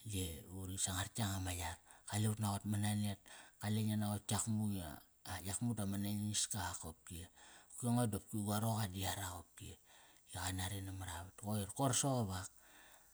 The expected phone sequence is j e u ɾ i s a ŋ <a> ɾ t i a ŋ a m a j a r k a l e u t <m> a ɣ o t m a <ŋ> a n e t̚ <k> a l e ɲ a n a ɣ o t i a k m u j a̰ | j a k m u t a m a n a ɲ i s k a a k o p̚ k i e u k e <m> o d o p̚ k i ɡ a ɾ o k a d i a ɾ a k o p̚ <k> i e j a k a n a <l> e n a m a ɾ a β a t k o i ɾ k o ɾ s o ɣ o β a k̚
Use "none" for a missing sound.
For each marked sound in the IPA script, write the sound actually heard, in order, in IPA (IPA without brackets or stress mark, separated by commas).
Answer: a, n, n, k, ŋ, k, ɾ